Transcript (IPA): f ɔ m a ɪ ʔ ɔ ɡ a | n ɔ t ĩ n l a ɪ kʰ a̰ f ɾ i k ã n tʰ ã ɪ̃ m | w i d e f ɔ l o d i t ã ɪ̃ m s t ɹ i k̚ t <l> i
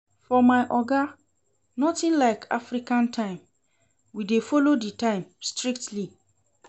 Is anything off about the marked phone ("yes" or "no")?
no